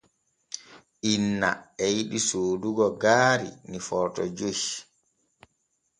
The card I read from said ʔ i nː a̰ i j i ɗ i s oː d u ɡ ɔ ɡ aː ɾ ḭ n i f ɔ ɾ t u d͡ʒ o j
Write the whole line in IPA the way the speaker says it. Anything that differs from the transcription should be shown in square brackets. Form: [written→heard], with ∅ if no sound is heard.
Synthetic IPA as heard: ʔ i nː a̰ [i→ɛ] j i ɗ i s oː d u ɡ ɔ ɡ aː ɾ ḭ n i f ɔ ɾ t [u→ɔ] d͡ʒ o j